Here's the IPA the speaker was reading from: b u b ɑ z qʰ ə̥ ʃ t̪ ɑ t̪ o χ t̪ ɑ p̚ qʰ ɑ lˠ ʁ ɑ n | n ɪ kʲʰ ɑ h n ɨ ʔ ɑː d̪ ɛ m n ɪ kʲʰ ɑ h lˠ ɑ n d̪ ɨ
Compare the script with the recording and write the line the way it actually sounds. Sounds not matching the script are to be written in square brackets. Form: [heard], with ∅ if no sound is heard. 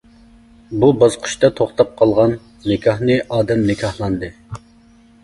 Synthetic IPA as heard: b u b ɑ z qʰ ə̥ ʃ t̪ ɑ [t̪ʰ] o χ t̪ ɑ p̚ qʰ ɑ lˠ ʁ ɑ n | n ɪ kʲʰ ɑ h n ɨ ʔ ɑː d̪ ɛ m n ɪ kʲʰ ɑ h lˠ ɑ n d̪ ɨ